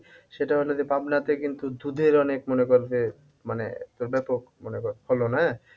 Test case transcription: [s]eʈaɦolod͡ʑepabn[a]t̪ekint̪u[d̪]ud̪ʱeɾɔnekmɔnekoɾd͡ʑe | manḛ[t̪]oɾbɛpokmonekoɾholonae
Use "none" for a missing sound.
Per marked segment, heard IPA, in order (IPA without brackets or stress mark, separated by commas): ʃ, a, d̪, t̪